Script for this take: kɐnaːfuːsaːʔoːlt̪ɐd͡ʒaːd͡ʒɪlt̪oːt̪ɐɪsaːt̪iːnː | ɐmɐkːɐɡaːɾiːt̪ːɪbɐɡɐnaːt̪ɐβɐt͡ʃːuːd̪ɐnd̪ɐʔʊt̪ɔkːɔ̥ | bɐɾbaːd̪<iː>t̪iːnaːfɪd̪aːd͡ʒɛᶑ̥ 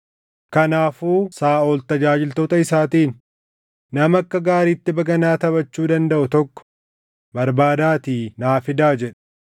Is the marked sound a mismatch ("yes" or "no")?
yes